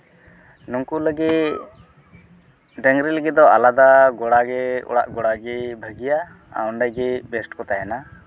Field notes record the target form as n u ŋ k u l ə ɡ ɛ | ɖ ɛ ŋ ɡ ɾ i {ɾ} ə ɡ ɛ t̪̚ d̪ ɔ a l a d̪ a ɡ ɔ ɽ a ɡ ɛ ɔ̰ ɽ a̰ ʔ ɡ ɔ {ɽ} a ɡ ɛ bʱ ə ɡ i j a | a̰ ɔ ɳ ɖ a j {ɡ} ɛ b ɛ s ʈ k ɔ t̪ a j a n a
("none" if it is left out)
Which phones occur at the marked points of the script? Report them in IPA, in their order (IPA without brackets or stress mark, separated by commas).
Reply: l, ɽ, ɡ